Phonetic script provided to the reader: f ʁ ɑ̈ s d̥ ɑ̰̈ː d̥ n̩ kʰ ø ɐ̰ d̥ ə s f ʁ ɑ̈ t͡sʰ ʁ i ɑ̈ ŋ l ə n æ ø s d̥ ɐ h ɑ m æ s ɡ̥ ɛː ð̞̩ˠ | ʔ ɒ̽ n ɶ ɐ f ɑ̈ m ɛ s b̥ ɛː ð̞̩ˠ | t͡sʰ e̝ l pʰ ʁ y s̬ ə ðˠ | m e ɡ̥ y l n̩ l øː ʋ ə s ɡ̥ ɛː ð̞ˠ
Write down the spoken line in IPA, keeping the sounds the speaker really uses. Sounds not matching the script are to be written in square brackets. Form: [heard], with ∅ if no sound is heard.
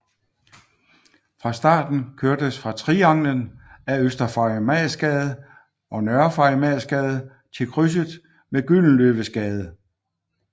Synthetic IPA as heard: f ʁ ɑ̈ s d̥ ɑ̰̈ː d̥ n̩ kʰ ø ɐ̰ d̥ ə s f ʁ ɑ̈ t͡sʰ ʁ i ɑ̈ ŋ l ə n æ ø s d̥ ɐ [f] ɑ m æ s ɡ̥ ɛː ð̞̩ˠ | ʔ ɒ̽ n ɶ ɐ f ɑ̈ m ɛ s [ɡ̥] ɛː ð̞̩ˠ | t͡sʰ e̝ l [kʰ] ʁ y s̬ ə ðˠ | m e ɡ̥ y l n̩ l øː ʋ ə s ɡ̥ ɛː ð̞ˠ

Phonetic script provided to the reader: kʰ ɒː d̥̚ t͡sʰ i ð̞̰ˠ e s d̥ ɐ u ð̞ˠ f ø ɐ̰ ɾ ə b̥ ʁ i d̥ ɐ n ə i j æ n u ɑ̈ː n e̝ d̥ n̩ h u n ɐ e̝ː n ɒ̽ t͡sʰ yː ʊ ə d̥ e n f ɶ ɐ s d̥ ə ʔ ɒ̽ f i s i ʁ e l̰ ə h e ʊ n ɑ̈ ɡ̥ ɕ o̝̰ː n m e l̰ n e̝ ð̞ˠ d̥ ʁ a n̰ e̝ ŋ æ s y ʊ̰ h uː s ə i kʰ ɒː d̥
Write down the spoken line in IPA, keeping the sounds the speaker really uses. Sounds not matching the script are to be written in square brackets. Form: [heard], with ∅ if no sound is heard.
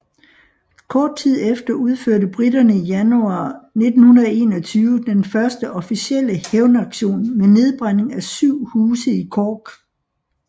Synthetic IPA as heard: kʰ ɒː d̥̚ t͡sʰ i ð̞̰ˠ e [f] d̥ ɐ u ð̞ˠ f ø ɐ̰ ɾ ə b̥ ʁ i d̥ ɐ n ə i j æ n u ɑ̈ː n e̝ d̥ n̩ h u n ɐ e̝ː n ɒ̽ t͡sʰ yː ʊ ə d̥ e n f ɶ ɐ s d̥ ə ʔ ɒ̽ f i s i [∅] e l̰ ə h e ʊ n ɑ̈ ɡ̥ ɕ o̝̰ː n m e [∅] n e̝ ð̞ˠ [b̥] ʁ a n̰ e̝ ŋ æ s y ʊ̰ h uː s ə i kʰ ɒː [ɡ̥]

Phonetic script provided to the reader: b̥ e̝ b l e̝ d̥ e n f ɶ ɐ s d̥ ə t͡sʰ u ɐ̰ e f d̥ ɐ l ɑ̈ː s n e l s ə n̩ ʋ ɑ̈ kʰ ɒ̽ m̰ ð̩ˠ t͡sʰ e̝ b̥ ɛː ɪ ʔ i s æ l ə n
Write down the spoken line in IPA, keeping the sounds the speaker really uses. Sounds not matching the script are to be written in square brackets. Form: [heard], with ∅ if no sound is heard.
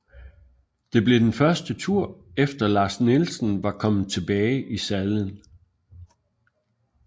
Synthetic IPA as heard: [d̥] e̝ b l e̝ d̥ e n f ɶ ɐ s d̥ ə t͡sʰ u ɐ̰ e f d̥ ɐ l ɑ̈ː s n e l s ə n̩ ʋ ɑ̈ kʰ ɒ̽ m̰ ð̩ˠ t͡sʰ e̝ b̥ ɛː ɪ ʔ i s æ l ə n

